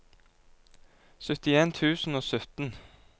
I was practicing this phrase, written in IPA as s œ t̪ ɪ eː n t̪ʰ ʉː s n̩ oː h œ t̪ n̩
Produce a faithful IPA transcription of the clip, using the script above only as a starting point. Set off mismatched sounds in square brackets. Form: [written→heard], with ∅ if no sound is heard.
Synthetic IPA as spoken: s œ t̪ ɪ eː n t̪ʰ ʉː s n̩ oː [h→s] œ t̪ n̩